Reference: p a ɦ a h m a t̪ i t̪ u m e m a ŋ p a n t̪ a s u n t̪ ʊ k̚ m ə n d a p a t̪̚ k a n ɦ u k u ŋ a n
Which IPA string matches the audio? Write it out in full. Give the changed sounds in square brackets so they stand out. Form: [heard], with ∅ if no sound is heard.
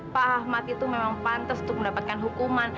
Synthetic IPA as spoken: p a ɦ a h m a t̪ i t̪ u m e m a ŋ p a n t̪ a s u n t̪ ʊ k̚ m ə n d a p a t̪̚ k a n ɦ u k u [m] a n